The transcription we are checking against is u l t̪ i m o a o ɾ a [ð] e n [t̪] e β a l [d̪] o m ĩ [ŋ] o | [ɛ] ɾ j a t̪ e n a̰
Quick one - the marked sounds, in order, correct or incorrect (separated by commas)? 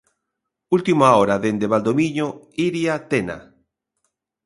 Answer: correct, incorrect, correct, incorrect, incorrect